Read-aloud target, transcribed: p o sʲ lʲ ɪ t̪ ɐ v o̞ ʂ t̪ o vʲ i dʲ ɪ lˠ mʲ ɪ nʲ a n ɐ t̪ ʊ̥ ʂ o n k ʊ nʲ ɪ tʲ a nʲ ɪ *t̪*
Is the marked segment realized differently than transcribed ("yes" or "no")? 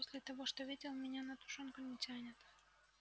no